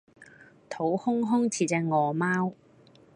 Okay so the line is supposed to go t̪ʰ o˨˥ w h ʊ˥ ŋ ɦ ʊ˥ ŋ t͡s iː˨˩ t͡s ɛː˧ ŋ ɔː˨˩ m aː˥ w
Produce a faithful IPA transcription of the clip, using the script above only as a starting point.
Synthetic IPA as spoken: t̪ʰ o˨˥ w h ʊ˥ ŋ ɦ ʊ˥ ŋ t͡sʰ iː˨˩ t͡s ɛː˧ ŋ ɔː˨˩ m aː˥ w